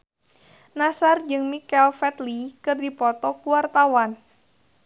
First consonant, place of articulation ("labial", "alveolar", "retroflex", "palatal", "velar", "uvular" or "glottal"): alveolar